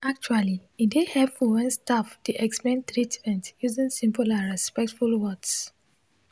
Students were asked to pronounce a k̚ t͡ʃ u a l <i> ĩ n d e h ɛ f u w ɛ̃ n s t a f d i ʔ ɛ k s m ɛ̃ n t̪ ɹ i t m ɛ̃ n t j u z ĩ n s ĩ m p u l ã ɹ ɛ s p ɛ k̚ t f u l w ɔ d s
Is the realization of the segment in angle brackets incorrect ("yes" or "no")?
no